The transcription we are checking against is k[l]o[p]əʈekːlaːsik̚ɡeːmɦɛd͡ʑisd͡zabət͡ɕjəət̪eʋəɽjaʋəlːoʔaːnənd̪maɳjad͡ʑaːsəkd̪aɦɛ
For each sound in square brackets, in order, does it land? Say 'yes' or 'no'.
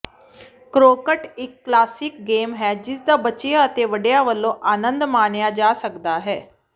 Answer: no, no

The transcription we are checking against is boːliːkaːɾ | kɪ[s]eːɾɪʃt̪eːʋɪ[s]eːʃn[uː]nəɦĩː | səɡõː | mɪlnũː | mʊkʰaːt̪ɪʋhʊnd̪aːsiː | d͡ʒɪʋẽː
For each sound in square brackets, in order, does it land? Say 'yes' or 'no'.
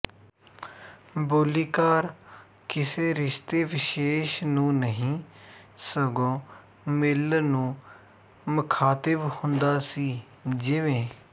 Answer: yes, no, no

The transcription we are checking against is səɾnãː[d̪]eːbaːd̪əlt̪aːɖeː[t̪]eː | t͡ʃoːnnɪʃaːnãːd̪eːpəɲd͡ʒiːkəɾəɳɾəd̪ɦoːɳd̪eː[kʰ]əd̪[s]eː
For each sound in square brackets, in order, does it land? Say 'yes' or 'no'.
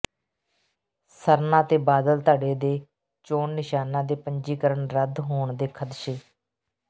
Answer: no, no, yes, no

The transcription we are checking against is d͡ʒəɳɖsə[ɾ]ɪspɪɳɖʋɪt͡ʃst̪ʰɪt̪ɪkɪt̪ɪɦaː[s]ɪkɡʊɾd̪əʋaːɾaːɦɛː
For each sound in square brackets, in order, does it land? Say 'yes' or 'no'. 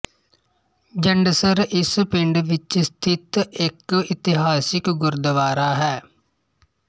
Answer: yes, yes

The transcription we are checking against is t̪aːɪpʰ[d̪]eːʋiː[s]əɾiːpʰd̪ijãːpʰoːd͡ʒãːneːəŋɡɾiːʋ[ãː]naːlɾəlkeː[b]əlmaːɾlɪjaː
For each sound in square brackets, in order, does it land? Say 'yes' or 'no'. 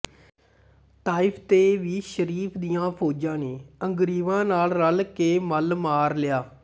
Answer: no, no, yes, no

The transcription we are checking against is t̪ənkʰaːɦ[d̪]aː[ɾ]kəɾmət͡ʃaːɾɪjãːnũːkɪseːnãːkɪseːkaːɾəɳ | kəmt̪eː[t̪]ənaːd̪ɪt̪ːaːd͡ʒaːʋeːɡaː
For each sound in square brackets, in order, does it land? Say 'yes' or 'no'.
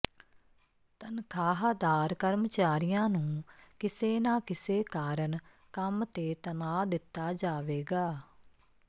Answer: yes, yes, yes

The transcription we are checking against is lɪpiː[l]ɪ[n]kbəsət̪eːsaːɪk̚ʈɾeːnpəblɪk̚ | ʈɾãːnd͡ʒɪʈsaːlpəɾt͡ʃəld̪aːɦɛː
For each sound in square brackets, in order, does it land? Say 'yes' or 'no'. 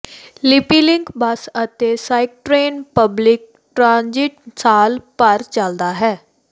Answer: yes, no

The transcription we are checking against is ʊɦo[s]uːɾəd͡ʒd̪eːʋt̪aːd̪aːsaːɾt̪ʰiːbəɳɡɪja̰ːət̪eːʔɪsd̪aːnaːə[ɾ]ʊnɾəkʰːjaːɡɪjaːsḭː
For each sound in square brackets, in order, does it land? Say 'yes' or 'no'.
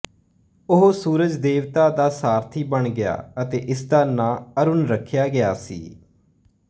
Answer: yes, yes

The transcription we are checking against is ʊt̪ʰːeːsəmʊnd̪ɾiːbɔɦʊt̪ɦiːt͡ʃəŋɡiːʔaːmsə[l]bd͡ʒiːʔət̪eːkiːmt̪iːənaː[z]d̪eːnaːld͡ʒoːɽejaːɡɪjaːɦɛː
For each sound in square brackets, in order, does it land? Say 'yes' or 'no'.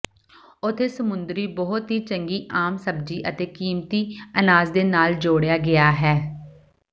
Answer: no, yes

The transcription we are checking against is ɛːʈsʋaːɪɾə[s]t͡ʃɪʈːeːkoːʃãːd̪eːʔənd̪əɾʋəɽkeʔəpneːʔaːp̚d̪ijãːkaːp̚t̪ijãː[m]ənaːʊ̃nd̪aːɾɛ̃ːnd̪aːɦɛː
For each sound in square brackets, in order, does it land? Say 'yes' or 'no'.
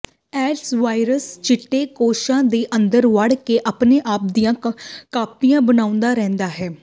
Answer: yes, no

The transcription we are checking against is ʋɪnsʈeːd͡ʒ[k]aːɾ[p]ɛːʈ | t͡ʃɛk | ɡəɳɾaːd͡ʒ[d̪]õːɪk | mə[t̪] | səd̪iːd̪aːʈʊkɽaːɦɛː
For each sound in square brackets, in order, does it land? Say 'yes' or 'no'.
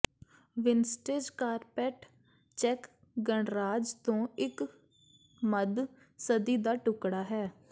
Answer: yes, yes, no, no

